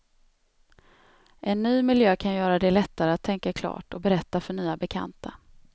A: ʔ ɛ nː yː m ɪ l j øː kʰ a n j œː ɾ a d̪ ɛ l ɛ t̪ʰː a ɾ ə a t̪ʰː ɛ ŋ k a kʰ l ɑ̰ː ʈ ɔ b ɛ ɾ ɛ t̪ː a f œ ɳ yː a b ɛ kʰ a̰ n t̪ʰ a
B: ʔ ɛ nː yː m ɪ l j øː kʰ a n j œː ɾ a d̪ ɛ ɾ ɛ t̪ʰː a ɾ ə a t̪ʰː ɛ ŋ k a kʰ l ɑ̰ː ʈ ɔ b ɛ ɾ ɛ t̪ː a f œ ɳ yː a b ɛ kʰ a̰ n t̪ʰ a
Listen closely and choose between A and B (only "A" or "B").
A